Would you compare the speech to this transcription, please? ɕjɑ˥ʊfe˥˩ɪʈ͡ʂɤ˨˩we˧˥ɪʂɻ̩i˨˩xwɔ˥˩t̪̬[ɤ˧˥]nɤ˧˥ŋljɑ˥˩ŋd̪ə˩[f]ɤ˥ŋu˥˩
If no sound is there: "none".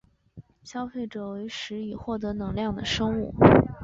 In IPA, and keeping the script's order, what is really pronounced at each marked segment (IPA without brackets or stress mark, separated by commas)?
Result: ɤ˧˥, ʂ